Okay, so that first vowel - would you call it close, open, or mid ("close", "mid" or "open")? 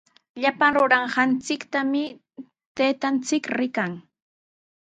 open